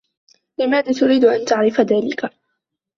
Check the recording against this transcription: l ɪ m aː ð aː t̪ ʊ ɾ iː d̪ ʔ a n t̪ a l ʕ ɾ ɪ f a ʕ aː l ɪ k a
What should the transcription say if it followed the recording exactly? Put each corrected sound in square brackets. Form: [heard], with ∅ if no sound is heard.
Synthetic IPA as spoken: l ɪ m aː ð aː t̪ ʊ ɾ iː d̪ ʔ a n t̪ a [∅] ʕ ɾ ɪ f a [ð] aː l ɪ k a